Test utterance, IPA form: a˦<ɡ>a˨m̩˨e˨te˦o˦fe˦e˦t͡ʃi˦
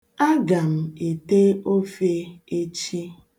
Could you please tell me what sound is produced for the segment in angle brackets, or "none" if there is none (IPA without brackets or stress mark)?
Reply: ɡ